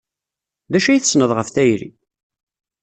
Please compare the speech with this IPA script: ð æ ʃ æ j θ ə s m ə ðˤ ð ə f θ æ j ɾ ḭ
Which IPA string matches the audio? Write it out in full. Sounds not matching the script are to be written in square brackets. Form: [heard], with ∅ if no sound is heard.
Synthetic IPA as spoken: ð æ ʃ æ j θ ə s [n] ə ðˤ [ʁ] ə f θ æ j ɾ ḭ